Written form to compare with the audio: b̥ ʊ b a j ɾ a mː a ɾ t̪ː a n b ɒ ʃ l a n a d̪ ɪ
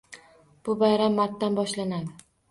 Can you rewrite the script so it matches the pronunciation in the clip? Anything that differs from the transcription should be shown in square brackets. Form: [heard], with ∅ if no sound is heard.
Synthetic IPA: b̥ ʊ b a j ɾ a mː a ɾ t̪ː a n b ɒ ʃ l a n a d̪ ɪ